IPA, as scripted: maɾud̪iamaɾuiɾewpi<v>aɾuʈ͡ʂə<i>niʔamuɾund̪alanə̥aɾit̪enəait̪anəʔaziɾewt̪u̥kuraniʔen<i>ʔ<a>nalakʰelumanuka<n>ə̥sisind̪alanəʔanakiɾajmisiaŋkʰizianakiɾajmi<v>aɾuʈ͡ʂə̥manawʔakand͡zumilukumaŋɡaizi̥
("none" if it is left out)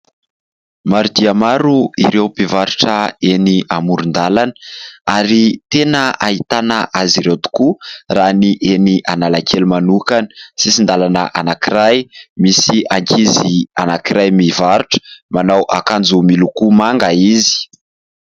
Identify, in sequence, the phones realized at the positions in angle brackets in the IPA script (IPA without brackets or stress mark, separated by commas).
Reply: v, e, i, a, n, v